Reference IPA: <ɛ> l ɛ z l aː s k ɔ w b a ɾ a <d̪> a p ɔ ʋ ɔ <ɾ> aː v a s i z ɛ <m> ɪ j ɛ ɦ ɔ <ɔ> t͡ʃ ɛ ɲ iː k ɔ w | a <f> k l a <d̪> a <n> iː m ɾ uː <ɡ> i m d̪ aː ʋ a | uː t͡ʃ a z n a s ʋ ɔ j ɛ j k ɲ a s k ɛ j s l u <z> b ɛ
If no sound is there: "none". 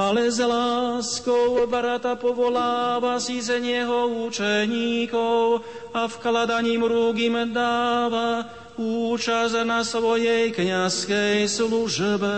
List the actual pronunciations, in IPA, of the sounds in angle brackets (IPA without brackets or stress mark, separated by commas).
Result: a, t̪, l, ɲ, u, f, d̪, ɲ, ɡ, ʒ